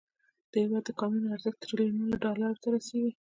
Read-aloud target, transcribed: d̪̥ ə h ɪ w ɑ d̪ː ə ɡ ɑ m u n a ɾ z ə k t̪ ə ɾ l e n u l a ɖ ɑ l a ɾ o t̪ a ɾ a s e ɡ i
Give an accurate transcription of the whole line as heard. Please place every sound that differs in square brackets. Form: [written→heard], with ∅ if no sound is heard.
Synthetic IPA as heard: d̪̥ ə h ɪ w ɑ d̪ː ə [ɡ→k] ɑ m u n a ɾ z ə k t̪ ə ɾ l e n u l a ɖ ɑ l a ɾ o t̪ a ɾ a s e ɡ i